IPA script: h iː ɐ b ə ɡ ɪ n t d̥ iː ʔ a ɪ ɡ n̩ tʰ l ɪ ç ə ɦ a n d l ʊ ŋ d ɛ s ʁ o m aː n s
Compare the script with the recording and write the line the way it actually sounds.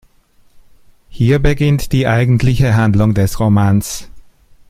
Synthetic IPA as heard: h iː ɐ b ə ɡ ɪ n t d̥ iː ʔ a ɪ ɡ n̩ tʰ l ɪ ç ə ɦ a n d l ʊ ŋ d ɛ s ʁ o m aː n s

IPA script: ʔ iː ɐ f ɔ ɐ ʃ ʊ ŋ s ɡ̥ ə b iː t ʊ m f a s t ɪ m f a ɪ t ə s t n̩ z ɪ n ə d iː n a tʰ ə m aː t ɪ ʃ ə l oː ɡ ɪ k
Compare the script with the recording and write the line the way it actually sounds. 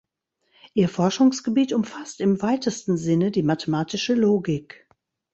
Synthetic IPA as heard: ʔ iː ɐ f ɔ ɐ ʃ ʊ ŋ s ɡ̥ ə b iː t ʊ m f a s t ɪ m v a ɪ t ə s t n̩ z ɪ n ə d iː m a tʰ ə m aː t ɪ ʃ ə l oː ɡ ɪ k

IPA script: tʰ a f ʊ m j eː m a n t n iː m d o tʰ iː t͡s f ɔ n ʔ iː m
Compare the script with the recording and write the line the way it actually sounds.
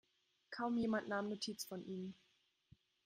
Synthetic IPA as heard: kʰ a ʊ m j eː m a n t n aː m n o tʰ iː t͡s f ɔ n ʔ iː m

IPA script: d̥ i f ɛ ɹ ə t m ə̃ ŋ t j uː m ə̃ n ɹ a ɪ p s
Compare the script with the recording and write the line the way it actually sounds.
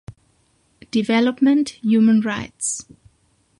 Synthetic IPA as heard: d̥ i v ɛ l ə p m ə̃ n t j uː m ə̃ n ɹ a ɪ t s

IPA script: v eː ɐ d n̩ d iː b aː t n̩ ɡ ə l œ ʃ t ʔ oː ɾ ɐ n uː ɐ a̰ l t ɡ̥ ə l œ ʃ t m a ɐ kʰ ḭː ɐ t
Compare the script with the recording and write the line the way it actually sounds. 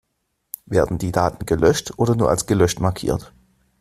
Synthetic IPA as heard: v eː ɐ d n̩ d iː d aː t n̩ ɡ ə l œ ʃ t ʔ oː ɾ ɐ n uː ɐ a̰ l s ɡ̥ ə l œ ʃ t m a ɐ kʰ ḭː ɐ t

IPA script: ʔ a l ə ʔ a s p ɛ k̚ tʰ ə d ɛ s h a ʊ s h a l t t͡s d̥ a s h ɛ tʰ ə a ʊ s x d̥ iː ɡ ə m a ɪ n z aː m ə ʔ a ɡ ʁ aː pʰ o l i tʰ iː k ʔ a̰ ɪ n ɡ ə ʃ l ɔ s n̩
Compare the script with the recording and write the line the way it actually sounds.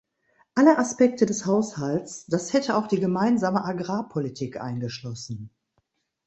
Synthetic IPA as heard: ʔ a l ə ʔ a s p ɛ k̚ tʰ ə d ɛ s h a ʊ s h a l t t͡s d̥ a s h ɛ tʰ ə a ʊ x d̥ iː ɡ ə m a ɪ n z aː m ə ʔ a ɡ ʁ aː pʰ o l i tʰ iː k ʔ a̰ ɪ n ɡ ə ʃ l ɔ s n̩

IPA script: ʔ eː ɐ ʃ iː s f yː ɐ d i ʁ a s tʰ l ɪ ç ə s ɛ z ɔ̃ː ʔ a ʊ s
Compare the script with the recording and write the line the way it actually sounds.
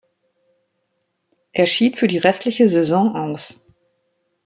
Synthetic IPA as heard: ʔ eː ɐ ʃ iː t f yː ɐ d iː ʁ ɛ s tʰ l ɪ ç ə z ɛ z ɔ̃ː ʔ a ʊ s

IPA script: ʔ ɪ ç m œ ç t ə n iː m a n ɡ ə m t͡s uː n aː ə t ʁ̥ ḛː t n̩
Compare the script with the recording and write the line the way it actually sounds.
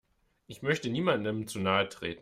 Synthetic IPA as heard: ʔ ɪ ç m œ ç t ə n iː m a n d ə m t͡s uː n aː ə t ʁ̥ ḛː t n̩

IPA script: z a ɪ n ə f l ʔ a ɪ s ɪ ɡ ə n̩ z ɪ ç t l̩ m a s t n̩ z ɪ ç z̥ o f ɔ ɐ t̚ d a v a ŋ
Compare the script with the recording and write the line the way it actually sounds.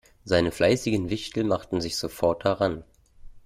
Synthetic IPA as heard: z a ɪ n ə f l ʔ a ɪ s ɪ ɡ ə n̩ v ɪ ç t l̩ m a χ t n̩ z ɪ ç z̥ o f ɔ ɐ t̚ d a ʁ a n

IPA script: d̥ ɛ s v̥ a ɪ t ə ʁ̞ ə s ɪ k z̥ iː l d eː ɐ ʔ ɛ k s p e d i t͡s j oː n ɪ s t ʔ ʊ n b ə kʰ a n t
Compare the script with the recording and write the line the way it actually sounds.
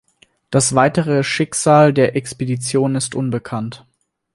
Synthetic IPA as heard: d̥ a s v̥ a ɪ t ə ʁ̞ ə ʃ ɪ k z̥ aː l d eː ɐ ʔ ɛ k s p e d i t͡s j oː n ɪ s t ʔ ʊ n b ə kʰ a n t

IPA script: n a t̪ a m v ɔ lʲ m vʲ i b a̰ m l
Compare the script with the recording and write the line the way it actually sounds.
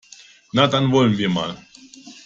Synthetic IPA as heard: n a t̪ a n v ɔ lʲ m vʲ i m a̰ l

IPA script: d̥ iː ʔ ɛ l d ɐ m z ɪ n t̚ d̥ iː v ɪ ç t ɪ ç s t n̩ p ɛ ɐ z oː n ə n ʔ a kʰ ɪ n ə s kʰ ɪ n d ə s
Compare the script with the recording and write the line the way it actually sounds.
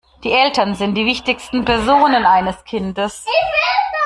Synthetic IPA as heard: d̥ iː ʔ ɛ l t ɐ n z ɪ n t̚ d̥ iː v ɪ ç t ɪ ç s t n̩ p ɛ ɐ z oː n ə n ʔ a ɪ n ə s kʰ ɪ n d ə s

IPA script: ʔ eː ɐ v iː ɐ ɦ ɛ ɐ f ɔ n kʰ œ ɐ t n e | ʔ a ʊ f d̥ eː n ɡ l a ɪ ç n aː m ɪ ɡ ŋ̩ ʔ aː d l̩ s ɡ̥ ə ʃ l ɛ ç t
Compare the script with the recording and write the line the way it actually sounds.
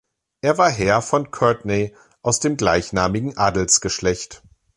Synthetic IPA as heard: ʔ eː ɐ v aː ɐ ɦ ɛ ɐ f ɔ n kʰ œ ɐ t n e | ʔ a ʊ s d̥ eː m ɡ l a ɪ ç n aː m ɪ ɡ ŋ̩ ʔ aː d l̩ s ɡ̥ ə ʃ l ɛ ç t

